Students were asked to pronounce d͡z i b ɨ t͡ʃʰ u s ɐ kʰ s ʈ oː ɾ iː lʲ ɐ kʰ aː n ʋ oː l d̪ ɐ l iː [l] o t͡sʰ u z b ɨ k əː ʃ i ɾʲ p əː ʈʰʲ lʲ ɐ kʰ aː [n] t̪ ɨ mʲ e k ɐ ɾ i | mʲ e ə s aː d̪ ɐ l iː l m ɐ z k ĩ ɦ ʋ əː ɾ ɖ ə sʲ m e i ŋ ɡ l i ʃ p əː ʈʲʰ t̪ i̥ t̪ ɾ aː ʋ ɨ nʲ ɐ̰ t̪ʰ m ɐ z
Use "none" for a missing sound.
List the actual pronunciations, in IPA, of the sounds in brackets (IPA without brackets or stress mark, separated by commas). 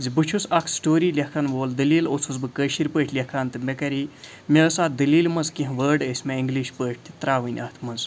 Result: l, n